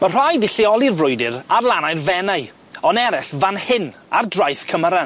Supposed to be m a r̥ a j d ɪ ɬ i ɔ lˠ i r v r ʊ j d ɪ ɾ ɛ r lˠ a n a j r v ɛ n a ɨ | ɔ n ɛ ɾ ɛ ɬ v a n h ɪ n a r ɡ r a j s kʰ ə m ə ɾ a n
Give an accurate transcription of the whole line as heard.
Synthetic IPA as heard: m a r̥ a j d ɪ ɬ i ɔ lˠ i r v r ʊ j d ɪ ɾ a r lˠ a n a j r v ɛ n a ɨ | ɔ n ɛ ɾ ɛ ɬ v a n h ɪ n a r d r a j θ kʰ ə m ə ɾ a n